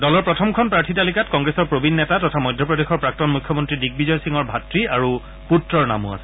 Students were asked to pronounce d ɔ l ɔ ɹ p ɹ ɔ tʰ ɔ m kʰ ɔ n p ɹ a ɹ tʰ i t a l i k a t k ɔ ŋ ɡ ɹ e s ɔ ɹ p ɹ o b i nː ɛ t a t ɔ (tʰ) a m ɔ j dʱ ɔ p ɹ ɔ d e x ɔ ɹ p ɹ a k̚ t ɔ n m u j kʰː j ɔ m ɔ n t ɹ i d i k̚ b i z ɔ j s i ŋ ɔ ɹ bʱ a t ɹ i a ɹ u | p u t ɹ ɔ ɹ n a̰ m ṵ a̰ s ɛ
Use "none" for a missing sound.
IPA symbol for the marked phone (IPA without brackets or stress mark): tʰ